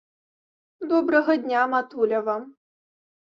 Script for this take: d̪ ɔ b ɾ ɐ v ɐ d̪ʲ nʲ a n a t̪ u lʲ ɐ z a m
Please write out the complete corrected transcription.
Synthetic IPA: d̪ ɔ b ɾ ɐ ɣ ɐ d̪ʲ nʲ a m a t̪ u lʲ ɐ v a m